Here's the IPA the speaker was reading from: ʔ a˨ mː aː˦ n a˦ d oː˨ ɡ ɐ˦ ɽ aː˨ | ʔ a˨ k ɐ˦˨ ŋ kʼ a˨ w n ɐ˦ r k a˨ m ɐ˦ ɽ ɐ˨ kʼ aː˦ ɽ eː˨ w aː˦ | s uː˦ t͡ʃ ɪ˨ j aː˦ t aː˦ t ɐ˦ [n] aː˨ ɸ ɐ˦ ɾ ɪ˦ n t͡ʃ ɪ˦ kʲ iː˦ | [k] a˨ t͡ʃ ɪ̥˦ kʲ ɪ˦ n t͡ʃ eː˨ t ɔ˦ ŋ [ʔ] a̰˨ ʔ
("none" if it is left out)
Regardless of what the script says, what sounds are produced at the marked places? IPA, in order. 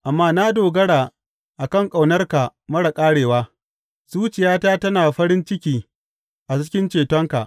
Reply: n, ʔ, k

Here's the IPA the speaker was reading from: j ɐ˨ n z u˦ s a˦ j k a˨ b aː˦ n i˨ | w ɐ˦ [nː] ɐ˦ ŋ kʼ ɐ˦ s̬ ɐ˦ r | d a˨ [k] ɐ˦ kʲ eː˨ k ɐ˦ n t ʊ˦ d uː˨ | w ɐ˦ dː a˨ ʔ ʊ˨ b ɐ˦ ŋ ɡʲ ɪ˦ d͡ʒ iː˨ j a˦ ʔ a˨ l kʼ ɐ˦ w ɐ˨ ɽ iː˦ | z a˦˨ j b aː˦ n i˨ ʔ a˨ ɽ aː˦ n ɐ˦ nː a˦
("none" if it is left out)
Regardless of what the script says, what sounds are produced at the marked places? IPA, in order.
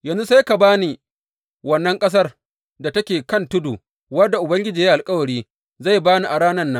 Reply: nː, t

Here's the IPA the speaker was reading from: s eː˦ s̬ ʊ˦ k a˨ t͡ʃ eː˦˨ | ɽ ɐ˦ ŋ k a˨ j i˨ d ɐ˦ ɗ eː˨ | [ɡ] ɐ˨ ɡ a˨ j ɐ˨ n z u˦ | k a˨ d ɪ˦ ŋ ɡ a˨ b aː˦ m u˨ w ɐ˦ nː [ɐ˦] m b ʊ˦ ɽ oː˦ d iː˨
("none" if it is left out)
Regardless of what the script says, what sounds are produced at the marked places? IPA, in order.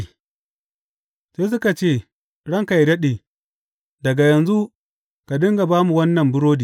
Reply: d, ɐ˨

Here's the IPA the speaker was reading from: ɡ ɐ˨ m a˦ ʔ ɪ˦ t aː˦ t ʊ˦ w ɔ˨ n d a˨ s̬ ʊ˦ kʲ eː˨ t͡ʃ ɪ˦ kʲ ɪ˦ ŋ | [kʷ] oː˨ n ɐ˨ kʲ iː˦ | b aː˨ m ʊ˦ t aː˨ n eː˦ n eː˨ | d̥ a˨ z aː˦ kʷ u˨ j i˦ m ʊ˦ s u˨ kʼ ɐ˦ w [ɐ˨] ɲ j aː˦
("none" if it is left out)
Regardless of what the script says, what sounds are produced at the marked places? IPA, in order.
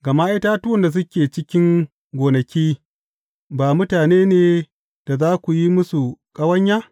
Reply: ɡʷ, ɐ˦

